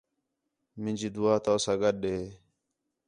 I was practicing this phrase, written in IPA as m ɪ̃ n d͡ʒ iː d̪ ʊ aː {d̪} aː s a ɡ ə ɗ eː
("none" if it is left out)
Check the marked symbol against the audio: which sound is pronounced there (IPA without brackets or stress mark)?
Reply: t̪